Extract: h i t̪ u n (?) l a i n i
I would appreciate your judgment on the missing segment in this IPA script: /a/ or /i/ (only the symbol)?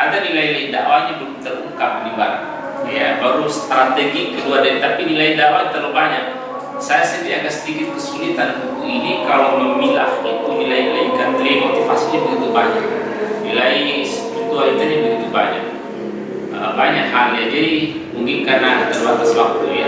i